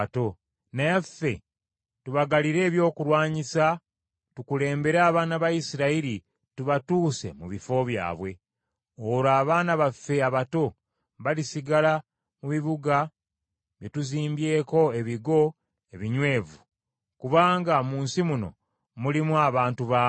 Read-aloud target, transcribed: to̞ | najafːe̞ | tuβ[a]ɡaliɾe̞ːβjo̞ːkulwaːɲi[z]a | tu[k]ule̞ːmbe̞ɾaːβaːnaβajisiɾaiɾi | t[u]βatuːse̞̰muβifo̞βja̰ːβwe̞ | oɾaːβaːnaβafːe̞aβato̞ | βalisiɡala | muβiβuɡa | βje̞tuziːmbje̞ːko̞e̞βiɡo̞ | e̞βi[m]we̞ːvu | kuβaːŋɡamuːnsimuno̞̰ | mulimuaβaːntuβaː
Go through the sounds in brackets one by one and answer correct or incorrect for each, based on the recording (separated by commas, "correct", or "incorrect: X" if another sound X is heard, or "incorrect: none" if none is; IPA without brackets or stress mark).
correct, incorrect: s, correct, correct, incorrect: ɲ